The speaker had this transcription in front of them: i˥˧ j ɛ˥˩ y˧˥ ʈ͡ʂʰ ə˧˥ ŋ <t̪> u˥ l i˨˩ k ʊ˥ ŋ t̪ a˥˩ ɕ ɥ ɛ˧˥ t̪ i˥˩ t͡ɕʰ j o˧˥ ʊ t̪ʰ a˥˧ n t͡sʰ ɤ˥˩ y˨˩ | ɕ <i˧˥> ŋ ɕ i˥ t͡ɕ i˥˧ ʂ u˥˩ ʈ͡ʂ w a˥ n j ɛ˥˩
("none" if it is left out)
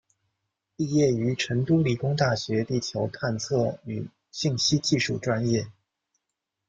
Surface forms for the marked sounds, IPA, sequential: t̪, i˥˩

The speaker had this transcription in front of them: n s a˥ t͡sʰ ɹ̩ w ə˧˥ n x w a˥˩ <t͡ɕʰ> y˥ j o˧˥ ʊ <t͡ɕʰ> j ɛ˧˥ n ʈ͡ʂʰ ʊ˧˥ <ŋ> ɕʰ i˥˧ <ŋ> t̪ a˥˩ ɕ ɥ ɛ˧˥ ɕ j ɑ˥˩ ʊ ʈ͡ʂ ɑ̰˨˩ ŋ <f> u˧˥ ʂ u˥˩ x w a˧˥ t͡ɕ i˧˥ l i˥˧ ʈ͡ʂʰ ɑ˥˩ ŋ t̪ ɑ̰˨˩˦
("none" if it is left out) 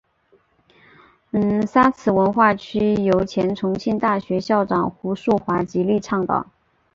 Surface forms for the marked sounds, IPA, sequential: t͡ɕʰ, t͡ɕʰ, ŋ, n, x

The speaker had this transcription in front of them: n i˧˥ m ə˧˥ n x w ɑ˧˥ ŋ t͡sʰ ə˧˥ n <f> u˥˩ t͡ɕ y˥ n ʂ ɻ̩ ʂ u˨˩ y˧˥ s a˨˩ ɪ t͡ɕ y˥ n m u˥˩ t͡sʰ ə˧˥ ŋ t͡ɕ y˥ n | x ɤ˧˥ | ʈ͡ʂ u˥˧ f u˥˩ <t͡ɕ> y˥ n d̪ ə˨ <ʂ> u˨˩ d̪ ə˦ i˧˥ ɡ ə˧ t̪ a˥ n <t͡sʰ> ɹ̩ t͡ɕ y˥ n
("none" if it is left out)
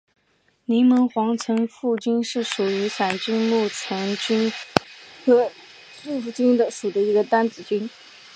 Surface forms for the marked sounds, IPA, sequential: f, t͡ɕ, ʂ, t͡s

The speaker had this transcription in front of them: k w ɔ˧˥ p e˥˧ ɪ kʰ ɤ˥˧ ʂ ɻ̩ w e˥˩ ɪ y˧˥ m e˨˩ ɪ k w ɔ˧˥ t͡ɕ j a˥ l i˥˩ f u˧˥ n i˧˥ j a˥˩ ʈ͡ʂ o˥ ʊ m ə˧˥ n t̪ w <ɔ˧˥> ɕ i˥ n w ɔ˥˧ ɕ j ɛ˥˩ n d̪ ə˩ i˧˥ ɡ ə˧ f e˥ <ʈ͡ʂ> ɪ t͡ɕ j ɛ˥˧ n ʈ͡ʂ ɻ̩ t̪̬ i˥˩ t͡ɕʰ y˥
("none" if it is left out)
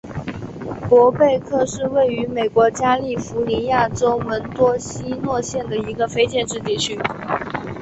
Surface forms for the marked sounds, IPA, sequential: ɔ˥, none

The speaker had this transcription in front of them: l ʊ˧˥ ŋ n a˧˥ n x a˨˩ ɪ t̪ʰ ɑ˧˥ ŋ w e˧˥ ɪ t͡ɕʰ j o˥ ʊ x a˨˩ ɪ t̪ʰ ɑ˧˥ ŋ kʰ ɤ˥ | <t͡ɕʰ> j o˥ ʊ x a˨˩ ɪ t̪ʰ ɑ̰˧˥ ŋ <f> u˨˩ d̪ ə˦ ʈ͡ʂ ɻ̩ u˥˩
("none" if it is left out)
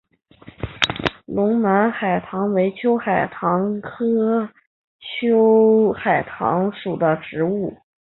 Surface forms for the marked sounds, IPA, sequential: t͡ɕʰ, ʂ

